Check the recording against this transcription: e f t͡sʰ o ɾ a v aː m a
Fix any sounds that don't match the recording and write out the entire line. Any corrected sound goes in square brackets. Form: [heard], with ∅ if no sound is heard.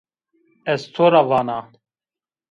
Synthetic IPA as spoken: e [s] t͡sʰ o ɾ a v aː [n] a

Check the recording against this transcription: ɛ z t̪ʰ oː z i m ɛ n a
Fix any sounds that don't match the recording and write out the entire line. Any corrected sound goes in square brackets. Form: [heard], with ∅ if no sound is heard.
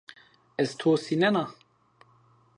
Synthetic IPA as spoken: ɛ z t̪ʰ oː [s] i [n] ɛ n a

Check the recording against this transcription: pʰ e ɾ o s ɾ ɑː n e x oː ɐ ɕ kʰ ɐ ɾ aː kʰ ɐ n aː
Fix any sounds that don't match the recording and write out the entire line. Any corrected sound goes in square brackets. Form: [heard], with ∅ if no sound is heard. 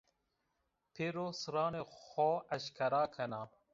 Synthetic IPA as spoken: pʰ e ɾ o s ɾ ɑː n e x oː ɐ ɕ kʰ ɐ ɾ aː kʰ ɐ n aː

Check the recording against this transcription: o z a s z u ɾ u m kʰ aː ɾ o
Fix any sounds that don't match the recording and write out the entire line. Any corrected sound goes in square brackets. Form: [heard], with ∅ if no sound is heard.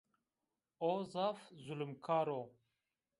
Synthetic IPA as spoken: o z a [f] z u [l] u m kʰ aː ɾ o

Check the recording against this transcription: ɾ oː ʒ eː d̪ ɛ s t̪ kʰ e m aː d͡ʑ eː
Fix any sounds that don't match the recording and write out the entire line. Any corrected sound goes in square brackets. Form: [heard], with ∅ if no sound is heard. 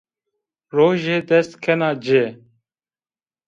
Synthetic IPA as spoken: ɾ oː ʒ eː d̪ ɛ s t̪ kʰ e [n] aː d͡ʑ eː

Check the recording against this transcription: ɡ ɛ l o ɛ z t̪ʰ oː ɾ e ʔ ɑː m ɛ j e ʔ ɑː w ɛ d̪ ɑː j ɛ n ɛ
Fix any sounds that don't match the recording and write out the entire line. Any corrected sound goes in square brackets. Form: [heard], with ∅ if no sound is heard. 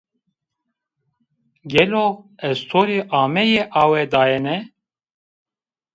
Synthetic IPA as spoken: ɡ ɛ l o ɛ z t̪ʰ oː ɾ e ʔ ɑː m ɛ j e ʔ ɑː w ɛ d̪ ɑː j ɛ n ɛ

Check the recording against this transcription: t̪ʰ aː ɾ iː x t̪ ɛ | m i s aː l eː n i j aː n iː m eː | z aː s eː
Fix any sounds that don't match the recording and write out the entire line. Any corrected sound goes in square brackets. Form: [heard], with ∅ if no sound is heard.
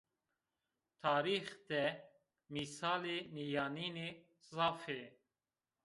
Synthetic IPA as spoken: t̪ʰ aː ɾ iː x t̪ ɛ | m i s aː l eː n i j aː n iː [n] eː | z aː [f] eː

